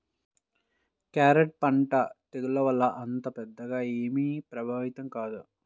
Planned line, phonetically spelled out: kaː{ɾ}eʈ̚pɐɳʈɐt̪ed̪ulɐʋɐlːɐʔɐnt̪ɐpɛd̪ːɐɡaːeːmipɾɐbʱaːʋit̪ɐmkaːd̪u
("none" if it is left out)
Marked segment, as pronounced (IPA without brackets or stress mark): ɾ